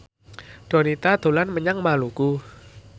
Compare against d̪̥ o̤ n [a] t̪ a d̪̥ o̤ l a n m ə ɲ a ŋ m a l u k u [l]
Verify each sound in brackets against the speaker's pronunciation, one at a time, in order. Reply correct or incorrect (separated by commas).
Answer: incorrect, incorrect